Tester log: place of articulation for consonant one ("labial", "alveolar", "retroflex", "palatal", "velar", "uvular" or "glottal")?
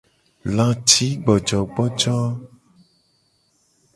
alveolar